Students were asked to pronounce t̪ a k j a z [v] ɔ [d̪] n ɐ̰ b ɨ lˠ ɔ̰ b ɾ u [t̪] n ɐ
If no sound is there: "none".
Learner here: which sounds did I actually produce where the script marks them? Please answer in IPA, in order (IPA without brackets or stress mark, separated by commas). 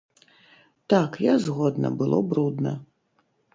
ɣ, d̪, d̪